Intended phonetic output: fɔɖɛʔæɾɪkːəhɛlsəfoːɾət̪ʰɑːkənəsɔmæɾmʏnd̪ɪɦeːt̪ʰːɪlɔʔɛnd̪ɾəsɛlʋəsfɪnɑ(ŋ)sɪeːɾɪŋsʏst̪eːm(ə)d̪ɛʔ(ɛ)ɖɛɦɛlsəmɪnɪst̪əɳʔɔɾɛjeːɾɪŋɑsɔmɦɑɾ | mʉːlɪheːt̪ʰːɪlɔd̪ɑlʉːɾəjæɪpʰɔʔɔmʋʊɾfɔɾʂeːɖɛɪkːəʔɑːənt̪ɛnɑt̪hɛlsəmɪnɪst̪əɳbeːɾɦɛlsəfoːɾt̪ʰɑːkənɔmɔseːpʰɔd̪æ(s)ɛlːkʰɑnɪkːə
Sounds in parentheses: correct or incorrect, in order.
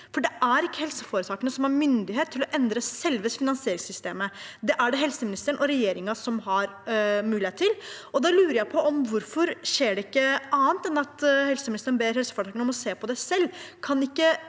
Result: incorrect, correct, incorrect, correct

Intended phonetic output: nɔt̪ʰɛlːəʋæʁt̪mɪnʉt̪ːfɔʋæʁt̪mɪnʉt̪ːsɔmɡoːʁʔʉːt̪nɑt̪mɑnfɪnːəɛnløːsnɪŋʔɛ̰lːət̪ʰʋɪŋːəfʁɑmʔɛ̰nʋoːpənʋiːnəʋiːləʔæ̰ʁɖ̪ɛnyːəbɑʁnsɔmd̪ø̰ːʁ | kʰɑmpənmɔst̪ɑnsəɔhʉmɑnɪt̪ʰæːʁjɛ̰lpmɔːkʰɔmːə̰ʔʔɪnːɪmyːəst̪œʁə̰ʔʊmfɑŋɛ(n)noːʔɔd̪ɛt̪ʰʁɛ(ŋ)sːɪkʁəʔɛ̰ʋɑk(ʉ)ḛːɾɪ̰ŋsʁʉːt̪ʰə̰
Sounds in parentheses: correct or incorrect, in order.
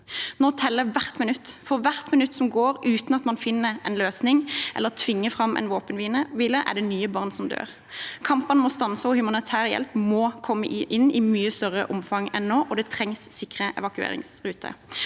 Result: correct, correct, correct

